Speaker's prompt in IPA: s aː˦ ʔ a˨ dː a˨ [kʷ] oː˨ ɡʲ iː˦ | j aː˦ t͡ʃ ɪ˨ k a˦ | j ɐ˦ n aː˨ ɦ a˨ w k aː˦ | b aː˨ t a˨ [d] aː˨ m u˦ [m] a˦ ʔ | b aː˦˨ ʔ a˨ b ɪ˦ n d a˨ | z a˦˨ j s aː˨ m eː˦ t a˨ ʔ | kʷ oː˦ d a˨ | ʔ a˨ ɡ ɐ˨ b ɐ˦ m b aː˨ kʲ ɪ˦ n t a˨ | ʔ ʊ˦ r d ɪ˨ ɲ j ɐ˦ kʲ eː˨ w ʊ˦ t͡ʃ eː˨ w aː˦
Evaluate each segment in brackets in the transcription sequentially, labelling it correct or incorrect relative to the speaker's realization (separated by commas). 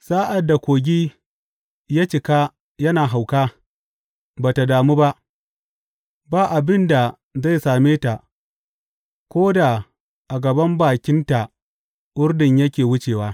correct, correct, incorrect